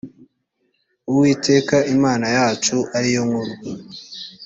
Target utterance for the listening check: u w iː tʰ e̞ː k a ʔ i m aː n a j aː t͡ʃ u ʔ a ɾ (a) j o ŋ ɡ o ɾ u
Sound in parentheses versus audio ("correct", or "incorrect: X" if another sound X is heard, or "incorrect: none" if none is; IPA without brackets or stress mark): incorrect: i